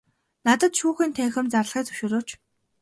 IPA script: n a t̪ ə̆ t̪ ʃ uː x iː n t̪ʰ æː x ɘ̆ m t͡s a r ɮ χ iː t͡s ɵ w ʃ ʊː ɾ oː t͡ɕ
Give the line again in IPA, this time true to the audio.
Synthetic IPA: n a t̪ ə̆ t̪ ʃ uː x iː n t̪ʰ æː x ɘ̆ m t͡s a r ɮ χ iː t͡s ɵ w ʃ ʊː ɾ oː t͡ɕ